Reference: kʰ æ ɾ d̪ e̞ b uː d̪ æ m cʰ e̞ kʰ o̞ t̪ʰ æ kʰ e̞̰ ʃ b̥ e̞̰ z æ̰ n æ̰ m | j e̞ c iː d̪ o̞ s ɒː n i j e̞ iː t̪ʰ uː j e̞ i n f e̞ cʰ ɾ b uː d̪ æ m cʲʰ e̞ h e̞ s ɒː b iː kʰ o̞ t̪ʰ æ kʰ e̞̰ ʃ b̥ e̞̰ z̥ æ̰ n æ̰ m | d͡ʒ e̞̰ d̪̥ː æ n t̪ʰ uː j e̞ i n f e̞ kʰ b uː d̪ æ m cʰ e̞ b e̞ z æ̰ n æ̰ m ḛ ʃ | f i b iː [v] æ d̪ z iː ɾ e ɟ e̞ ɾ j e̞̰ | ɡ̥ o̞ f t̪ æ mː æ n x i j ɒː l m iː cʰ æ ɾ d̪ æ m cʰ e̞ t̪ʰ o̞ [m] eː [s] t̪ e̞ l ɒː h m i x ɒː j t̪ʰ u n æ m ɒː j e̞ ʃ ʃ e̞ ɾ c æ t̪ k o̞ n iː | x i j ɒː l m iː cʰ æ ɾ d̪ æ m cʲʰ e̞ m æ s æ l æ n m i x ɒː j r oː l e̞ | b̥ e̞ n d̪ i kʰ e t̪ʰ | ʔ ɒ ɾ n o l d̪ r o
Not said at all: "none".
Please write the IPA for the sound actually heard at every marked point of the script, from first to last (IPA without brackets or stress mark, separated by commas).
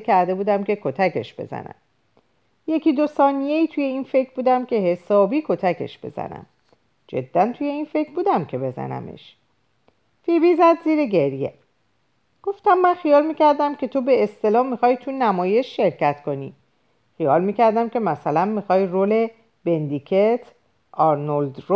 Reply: z, b, s